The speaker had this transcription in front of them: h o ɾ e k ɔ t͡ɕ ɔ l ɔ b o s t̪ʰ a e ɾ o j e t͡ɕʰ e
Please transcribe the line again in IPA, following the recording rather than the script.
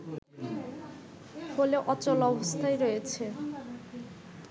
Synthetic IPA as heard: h o l e ʔ ɔ t͡ɕ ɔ l ɔ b o s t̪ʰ a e ɾ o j e t͡ɕʰ e